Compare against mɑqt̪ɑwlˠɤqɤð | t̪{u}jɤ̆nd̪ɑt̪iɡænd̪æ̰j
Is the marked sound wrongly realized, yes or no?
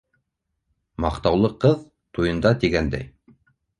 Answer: no